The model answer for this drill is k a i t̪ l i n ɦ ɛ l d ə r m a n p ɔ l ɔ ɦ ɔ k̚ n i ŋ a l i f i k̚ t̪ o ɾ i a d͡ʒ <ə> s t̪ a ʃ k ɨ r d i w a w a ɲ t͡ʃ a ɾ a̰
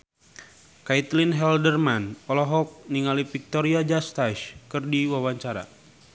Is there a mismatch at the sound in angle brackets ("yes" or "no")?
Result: yes